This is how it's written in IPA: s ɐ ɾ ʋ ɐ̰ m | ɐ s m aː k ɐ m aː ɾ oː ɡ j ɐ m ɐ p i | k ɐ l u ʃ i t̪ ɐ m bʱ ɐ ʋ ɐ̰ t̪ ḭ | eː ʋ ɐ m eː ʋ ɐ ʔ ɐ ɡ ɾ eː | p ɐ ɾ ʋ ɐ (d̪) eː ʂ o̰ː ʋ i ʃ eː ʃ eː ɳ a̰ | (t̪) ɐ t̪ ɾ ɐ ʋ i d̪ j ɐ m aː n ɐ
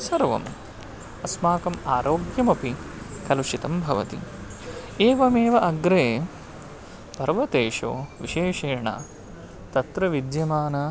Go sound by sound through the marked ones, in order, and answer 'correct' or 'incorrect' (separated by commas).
incorrect, correct